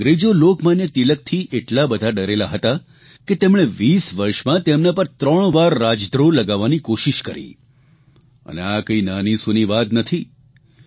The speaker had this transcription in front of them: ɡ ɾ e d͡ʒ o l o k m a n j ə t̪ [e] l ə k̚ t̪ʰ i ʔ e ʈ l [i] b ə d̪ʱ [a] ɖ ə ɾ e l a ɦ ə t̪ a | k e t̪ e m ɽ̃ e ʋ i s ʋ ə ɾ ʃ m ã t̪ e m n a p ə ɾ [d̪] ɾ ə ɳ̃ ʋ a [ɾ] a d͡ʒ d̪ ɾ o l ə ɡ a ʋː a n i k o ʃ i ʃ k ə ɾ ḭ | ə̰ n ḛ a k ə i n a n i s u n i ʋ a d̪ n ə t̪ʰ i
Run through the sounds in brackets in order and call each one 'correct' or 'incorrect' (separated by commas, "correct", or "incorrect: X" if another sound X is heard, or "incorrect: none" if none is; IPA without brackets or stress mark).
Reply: incorrect: i, incorrect: a, correct, incorrect: t̪, incorrect: ɾː